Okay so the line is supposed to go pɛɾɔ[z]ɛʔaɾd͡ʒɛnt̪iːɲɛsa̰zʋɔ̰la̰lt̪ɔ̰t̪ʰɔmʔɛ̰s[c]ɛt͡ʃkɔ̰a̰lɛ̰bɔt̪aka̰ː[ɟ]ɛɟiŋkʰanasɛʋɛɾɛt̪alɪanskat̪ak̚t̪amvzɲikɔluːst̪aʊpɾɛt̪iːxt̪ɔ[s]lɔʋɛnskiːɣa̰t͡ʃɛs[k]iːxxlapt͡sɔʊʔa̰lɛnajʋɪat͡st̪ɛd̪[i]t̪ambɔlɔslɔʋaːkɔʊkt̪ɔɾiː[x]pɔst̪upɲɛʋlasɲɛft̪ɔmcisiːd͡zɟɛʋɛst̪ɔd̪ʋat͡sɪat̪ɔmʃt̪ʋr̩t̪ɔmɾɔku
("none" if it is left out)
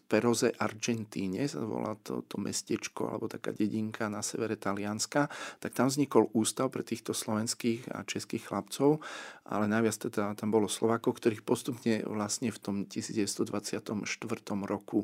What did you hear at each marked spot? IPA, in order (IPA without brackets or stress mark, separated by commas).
z, c, ɟ, s, k, a, x